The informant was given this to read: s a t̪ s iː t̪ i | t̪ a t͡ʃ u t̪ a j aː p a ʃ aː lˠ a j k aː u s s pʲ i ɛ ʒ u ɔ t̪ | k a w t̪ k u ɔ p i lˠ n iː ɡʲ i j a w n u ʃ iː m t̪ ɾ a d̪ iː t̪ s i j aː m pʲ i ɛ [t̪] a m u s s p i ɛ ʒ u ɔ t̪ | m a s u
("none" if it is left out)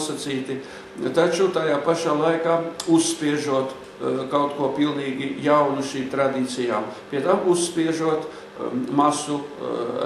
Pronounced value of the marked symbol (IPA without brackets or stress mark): t̪